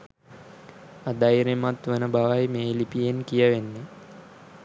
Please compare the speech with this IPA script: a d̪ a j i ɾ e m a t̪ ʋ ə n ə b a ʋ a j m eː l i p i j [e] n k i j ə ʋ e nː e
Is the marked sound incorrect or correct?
correct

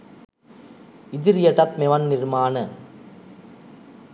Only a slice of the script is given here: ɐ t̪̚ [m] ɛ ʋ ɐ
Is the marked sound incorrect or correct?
correct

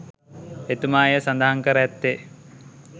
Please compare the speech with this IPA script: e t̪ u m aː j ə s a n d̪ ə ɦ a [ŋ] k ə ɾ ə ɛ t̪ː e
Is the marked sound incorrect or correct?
correct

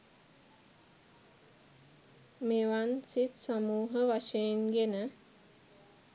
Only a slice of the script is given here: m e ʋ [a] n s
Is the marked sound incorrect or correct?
correct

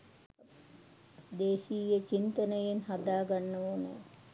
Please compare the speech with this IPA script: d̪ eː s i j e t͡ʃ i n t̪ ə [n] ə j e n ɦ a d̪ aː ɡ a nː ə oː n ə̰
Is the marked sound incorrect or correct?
correct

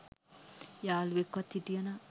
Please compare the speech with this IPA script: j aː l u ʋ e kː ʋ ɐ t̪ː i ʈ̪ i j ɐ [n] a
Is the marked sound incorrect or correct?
correct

